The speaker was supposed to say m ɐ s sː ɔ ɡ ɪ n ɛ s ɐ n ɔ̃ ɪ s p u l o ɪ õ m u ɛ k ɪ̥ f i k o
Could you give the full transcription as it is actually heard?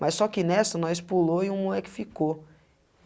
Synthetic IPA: m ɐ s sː ɔ k ɪ n ɛ s ɐ n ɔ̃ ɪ s p u l o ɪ ũ m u ɛ k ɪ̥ f i k o